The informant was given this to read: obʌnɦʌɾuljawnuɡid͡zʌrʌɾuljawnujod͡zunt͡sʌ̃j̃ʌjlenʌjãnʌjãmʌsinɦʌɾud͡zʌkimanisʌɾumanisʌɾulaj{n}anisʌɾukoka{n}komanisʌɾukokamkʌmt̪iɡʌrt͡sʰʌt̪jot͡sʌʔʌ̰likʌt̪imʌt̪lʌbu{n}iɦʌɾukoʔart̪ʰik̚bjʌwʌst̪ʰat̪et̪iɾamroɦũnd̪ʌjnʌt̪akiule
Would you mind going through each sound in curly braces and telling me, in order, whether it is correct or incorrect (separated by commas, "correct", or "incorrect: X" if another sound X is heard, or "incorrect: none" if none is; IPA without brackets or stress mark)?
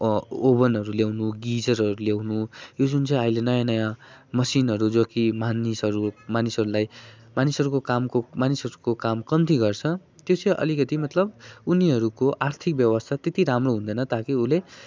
incorrect: m, incorrect: m, correct